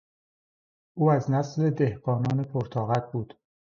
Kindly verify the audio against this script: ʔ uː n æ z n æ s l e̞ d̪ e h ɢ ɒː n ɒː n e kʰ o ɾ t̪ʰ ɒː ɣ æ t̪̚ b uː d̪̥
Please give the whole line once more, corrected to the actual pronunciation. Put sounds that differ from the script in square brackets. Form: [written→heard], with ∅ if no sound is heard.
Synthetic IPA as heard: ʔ uː [n→∅] æ z n æ s l e̞ d̪ e h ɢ ɒː n ɒː n e [kʰ→pʰ] o ɾ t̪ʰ ɒː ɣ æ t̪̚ b uː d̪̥